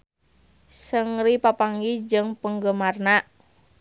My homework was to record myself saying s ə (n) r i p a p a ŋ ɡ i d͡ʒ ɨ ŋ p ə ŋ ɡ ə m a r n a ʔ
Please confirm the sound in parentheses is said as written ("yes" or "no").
no